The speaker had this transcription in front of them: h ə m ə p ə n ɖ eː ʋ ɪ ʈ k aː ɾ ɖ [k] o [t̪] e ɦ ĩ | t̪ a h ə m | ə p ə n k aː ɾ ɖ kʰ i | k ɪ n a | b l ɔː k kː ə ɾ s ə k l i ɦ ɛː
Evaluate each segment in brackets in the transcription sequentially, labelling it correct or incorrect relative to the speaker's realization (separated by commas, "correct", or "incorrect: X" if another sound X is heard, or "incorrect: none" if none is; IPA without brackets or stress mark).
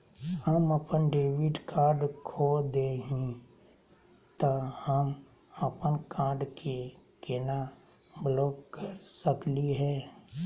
incorrect: kʰ, incorrect: d̪